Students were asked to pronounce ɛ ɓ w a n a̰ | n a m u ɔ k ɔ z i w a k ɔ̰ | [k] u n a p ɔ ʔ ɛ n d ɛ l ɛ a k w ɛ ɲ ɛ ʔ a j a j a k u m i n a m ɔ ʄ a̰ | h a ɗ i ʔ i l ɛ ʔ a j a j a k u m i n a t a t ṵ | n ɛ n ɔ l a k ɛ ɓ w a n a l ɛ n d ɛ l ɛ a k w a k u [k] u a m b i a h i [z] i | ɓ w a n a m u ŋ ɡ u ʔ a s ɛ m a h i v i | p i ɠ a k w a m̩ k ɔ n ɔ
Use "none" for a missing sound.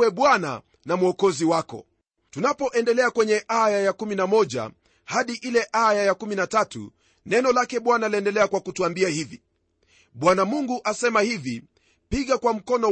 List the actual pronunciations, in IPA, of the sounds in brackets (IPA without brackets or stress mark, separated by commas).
t, t, v